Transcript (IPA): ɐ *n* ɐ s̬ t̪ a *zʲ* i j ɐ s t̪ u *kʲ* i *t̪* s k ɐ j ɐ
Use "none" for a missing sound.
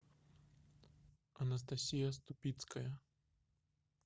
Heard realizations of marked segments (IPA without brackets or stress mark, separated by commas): n, sʲ, pʲ, t̪